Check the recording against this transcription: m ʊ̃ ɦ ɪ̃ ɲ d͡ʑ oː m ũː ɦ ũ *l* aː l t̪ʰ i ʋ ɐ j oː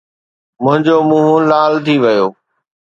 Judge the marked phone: correct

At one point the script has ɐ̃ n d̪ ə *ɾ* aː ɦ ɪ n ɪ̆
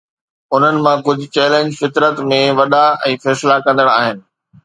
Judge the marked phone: incorrect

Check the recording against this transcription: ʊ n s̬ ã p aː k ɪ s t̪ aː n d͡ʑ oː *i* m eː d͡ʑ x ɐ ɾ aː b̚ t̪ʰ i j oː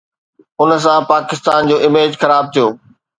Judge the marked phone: incorrect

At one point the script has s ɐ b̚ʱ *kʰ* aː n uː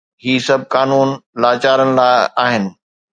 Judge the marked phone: incorrect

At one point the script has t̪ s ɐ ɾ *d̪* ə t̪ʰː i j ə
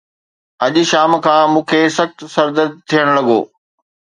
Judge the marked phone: correct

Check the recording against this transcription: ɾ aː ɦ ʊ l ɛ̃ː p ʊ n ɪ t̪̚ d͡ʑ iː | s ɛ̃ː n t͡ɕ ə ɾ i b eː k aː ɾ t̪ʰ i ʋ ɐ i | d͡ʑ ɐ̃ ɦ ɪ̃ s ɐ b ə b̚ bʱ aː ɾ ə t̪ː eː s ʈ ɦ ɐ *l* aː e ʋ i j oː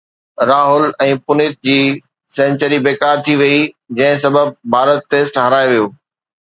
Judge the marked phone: incorrect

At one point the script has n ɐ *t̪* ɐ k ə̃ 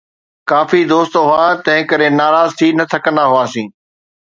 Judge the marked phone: incorrect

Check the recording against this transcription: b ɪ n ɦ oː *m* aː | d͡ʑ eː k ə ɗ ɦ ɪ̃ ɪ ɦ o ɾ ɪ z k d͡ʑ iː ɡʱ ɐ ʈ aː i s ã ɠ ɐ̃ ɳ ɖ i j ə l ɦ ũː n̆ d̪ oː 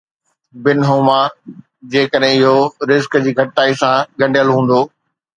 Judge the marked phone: correct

